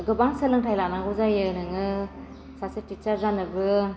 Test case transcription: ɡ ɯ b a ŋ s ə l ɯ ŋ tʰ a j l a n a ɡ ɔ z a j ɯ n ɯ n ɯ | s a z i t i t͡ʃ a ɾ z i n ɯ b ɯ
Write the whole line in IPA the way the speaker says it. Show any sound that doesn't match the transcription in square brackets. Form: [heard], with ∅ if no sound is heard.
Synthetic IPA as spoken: ɡ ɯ b a ŋ s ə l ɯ ŋ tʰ a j l a n a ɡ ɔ z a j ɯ n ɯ [ŋ] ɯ | s a [s] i t i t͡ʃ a ɾ z [a] n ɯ b ɯ